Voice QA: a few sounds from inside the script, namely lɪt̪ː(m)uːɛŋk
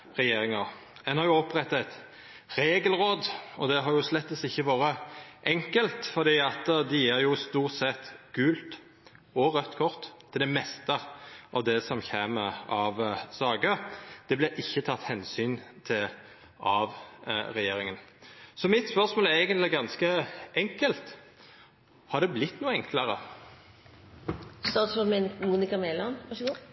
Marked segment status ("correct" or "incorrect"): incorrect